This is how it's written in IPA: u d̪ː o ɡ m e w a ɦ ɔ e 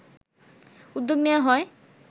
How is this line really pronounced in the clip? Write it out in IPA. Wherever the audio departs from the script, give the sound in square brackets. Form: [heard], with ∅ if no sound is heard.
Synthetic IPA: u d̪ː o ɡ [n] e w a ɦ ɔ e